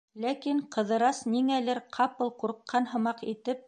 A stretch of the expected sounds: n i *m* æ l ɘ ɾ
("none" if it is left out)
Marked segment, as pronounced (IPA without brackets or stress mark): ŋ